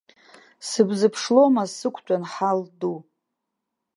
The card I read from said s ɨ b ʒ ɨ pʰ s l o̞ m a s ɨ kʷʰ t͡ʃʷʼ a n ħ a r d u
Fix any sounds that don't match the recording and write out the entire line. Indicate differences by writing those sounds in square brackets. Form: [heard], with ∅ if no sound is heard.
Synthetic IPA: s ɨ b [z] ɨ pʰ [ʂ] l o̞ m a s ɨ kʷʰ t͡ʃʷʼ a n ħ a [l] d u